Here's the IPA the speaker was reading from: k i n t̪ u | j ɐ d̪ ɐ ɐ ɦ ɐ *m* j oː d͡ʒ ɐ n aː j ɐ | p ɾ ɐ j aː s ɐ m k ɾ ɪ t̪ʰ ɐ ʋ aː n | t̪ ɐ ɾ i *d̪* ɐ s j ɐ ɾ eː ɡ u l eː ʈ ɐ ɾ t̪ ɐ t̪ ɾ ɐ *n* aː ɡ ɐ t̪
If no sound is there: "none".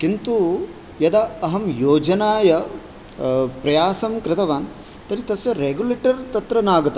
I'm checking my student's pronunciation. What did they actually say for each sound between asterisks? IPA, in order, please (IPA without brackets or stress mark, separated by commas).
m, t̪, n